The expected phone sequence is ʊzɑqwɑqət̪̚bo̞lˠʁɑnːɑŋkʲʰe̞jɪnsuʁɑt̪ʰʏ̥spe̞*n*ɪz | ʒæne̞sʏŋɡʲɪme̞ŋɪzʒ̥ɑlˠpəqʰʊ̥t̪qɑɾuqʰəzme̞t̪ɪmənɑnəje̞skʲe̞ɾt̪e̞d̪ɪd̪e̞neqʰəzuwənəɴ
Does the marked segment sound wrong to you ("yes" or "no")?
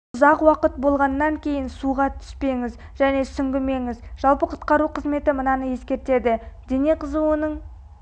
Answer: yes